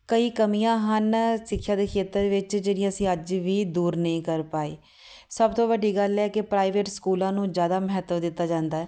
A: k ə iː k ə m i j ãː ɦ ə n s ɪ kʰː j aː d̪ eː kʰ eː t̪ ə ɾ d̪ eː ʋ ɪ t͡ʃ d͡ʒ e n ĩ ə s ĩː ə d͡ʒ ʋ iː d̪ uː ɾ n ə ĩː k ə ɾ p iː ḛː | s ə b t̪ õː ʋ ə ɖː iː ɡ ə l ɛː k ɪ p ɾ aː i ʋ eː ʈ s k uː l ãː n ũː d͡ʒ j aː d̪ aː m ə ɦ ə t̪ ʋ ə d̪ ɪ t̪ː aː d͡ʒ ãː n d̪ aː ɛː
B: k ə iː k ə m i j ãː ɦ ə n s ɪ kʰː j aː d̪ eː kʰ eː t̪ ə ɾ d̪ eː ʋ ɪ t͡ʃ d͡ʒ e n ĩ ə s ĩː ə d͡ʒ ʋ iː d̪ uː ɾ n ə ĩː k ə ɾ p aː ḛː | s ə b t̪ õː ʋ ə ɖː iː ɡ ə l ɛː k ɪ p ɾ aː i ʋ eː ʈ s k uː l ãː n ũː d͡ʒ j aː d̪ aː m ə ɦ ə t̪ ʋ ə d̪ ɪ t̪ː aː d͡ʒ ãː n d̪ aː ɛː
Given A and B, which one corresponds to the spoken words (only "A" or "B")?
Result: B